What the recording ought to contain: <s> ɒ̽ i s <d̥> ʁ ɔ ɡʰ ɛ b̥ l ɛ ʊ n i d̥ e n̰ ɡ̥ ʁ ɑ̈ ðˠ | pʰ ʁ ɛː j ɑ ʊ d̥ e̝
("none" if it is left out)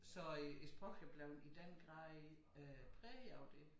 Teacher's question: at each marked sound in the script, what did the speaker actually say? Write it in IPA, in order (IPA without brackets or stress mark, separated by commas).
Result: s, b̥